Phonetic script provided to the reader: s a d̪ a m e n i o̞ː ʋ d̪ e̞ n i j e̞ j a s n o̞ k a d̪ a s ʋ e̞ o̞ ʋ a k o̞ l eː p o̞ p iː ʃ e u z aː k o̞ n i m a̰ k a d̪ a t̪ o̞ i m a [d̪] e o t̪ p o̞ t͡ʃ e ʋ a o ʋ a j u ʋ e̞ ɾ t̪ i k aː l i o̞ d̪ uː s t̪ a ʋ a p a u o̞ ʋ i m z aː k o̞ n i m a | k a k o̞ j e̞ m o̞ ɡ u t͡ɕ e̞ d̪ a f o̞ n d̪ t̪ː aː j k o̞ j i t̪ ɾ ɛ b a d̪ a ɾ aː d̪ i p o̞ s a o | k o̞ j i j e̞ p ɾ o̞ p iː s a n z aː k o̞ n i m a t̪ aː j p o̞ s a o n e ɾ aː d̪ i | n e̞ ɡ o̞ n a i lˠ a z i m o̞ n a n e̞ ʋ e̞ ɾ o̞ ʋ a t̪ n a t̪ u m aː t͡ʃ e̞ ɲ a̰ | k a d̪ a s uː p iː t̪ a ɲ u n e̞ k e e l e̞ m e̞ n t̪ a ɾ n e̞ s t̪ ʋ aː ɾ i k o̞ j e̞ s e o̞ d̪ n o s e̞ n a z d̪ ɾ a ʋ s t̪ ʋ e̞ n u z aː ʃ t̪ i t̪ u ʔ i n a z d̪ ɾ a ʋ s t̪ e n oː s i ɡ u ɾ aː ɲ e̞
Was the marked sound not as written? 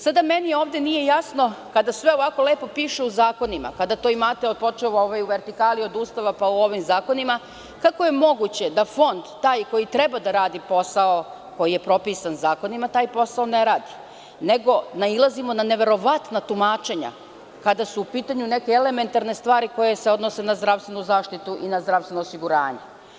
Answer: yes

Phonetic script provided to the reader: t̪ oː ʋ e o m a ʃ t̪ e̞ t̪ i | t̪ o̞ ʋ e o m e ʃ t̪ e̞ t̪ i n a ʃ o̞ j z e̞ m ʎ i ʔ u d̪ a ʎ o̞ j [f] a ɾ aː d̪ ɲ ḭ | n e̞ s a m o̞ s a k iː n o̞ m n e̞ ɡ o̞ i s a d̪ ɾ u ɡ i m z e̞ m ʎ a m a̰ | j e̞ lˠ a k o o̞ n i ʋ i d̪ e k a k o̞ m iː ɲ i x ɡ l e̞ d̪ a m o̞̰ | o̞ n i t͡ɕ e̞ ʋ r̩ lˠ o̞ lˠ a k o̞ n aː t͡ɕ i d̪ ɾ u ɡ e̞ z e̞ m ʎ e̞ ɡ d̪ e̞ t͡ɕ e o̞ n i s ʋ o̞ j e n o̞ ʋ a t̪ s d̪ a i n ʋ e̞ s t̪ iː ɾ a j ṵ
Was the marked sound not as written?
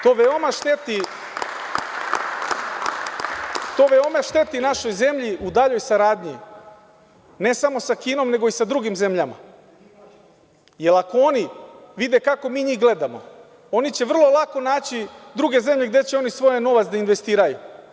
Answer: yes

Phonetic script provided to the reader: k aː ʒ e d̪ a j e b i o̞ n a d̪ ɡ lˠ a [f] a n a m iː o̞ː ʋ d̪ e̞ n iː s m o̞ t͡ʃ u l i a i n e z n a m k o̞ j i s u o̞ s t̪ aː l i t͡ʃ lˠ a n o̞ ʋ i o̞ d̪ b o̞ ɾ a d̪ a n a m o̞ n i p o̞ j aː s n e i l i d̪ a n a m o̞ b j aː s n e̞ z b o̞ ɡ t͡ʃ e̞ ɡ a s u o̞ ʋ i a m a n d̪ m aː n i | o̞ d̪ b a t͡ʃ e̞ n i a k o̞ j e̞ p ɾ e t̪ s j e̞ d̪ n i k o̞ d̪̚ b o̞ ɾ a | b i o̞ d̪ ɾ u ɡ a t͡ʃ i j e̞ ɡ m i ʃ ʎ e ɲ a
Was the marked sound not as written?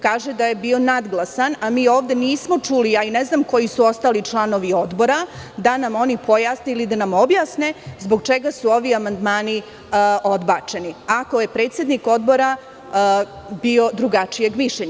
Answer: yes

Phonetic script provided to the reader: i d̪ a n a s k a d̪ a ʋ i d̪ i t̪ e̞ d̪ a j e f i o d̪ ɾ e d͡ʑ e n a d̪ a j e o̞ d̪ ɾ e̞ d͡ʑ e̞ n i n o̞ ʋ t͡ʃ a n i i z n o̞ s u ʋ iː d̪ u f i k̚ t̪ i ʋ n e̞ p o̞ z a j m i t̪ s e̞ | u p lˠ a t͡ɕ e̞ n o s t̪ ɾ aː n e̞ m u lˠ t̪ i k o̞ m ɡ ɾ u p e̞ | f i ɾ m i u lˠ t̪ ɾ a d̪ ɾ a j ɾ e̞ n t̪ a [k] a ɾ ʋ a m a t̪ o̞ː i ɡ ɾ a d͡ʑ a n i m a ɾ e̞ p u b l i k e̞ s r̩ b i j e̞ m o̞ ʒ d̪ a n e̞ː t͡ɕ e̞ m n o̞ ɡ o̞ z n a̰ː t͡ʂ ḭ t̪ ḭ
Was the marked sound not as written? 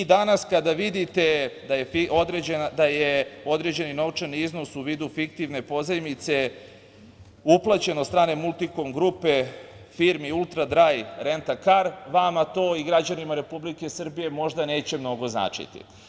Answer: no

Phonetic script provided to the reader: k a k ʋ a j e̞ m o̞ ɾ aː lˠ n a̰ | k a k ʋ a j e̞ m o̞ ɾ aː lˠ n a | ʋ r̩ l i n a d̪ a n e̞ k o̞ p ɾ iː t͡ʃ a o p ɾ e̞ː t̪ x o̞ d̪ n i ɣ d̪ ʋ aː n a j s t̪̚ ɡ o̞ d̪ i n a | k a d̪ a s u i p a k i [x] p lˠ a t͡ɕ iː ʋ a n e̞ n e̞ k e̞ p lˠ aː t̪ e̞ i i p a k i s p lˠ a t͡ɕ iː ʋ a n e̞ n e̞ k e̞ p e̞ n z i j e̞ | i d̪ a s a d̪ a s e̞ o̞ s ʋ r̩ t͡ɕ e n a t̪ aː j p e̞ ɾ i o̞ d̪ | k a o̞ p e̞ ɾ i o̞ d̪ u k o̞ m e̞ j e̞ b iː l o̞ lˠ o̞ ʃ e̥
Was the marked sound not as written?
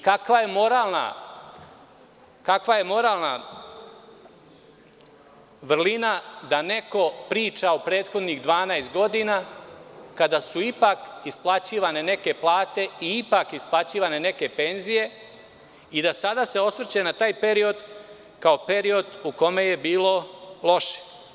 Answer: yes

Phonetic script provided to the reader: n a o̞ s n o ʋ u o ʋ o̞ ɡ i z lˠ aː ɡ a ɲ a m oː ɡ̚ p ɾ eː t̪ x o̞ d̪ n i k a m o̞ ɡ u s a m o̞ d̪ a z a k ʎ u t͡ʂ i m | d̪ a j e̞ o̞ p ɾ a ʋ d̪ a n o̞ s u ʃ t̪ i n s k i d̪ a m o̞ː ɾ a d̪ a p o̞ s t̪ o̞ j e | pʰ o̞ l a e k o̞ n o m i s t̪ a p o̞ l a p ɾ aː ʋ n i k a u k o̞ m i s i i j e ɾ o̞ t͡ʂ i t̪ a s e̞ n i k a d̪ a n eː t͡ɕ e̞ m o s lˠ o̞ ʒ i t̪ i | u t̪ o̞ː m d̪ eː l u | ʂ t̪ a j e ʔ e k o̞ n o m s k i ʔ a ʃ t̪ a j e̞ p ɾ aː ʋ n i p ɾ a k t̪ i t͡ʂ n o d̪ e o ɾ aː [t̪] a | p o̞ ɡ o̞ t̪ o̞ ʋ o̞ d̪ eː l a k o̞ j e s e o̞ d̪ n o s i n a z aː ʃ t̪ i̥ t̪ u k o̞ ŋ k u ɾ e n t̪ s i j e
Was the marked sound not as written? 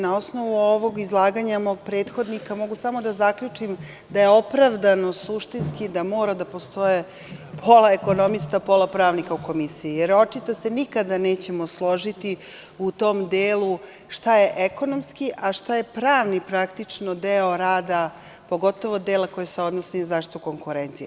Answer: yes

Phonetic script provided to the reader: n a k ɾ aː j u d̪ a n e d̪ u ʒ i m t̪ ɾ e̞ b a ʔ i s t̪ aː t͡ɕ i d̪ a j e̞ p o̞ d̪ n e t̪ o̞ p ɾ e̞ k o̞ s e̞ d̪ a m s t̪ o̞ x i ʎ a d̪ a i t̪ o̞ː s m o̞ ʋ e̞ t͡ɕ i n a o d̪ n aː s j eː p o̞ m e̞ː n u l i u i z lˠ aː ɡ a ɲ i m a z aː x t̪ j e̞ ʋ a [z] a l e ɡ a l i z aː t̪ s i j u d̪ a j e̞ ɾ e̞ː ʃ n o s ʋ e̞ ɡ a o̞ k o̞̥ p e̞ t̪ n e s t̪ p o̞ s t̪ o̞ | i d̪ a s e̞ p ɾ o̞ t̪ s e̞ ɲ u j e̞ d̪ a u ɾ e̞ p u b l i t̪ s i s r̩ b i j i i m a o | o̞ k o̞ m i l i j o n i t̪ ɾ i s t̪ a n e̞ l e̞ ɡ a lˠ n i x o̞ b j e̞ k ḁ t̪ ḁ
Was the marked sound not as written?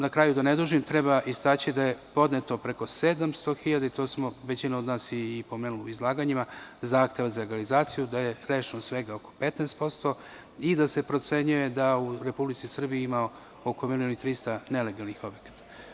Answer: no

